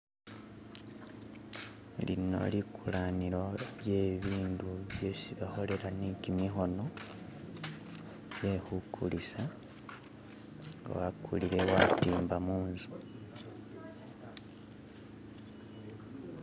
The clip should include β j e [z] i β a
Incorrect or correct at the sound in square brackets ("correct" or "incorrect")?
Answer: incorrect